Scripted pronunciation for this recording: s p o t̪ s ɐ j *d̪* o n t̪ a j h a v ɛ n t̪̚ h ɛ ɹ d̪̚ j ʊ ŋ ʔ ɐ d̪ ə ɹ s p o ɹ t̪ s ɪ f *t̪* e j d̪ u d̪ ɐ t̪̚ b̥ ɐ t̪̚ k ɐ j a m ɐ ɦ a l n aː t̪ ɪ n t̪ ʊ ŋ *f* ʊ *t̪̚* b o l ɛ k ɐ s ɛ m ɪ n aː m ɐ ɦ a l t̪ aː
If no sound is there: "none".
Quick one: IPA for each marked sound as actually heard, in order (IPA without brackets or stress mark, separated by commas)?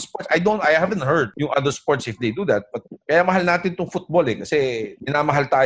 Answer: d̪, d̪, f, t̪̚